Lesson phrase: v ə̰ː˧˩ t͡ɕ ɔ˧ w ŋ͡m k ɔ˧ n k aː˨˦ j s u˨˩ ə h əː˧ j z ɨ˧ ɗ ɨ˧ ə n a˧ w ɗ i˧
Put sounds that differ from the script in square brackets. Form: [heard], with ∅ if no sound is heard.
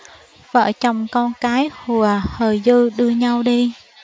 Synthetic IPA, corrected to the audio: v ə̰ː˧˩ t͡ɕ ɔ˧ w ŋ͡m k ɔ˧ n k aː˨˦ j [h] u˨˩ ə h [əː˨˩] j z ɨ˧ ɗ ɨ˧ ə [ɲ] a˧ w ɗ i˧